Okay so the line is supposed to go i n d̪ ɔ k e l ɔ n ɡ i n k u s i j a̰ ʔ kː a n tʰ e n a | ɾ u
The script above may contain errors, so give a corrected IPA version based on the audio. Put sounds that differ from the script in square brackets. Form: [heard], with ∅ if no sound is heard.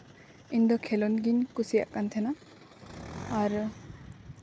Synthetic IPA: i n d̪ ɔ [kʰ] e l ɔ n ɡ i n k u s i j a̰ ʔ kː a n tʰ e n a | ɾ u